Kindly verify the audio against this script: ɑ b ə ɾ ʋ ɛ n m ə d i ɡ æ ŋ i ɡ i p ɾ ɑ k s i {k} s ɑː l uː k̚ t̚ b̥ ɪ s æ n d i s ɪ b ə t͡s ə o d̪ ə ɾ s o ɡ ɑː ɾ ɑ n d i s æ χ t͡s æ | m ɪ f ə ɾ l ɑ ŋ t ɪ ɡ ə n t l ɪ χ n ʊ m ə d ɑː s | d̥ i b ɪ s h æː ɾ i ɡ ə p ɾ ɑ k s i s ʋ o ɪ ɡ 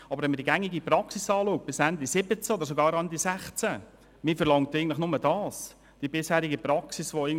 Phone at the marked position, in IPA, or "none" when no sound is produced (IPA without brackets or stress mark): none